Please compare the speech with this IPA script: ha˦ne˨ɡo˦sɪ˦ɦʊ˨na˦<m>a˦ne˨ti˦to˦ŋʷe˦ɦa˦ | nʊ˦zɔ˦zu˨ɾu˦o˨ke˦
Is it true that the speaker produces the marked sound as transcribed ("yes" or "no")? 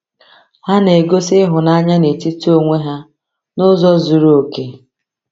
no